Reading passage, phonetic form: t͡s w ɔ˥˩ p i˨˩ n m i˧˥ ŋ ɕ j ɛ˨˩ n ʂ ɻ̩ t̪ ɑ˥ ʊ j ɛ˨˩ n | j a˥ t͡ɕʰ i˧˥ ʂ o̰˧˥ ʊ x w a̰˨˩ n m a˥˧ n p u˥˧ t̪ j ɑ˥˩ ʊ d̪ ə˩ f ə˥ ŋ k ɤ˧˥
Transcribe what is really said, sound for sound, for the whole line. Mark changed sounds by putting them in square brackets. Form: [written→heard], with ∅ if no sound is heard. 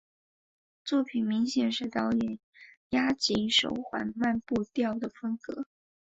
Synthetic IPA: t͡s w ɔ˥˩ [p→pʰ] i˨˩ n m i˧˥ ŋ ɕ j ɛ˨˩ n ʂ ɻ̩ t̪ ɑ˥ ʊ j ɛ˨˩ n | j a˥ [t͡ɕʰ→t͡ɕ] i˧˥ ʂ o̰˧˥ ʊ x w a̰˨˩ n m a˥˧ n p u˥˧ t̪ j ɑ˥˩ ʊ d̪ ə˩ f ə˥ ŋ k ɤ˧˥